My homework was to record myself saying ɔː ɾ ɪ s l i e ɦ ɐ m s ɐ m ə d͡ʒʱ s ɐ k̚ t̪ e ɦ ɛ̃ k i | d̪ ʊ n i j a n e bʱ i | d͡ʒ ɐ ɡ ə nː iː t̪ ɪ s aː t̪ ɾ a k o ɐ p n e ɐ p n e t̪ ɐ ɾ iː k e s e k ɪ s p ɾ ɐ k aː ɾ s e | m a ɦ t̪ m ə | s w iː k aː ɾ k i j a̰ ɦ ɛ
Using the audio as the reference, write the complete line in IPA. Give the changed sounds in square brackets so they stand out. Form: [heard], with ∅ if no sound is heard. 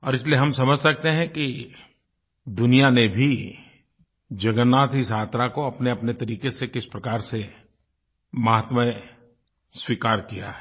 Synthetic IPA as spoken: ɔː ɾ ɪ s l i e ɦ ɐ m s ɐ m ə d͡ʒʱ s ɐ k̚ t̪ e ɦ ɛ̃ k i | d̪ ʊ n i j a n e bʱ i | d͡ʒ ɐ ɡ ə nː [aː] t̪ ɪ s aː t̪ ɾ a k o ɐ p n e ɐ p n e t̪ ɐ ɾ iː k e s e k ɪ s p ɾ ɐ k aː ɾ s e | m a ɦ t̪ m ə | s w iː k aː ɾ k i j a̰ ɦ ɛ